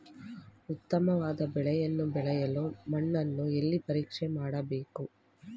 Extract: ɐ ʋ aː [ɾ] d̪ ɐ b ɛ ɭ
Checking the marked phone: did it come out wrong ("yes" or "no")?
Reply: yes